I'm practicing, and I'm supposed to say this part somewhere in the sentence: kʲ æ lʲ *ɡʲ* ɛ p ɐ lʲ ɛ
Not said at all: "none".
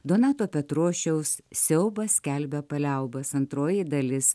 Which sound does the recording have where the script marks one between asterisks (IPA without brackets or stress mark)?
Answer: bʲ